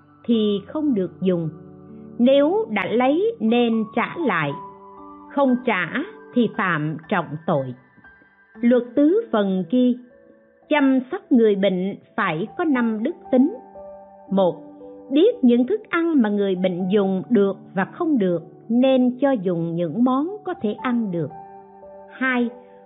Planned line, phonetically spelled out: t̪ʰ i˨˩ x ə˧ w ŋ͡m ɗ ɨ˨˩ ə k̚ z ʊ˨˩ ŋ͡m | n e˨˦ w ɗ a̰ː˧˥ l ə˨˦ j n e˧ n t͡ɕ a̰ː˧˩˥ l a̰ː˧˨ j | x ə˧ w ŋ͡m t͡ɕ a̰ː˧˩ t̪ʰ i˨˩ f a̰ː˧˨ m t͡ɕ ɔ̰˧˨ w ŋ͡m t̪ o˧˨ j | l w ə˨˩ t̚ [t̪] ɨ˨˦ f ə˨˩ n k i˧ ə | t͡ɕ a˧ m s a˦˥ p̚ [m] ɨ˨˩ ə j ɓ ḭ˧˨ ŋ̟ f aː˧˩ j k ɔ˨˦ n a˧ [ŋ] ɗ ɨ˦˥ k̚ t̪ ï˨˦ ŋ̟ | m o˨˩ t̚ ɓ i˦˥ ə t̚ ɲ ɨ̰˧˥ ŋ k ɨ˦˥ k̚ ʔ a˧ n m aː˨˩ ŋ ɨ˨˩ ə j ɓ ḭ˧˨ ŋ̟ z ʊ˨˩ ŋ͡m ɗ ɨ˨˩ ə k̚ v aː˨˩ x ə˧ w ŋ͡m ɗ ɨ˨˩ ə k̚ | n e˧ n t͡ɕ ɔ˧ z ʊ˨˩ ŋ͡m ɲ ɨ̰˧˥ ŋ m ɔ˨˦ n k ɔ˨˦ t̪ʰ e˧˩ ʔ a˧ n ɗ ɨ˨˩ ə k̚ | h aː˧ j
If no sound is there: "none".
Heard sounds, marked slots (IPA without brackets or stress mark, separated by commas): t̪, ŋ, m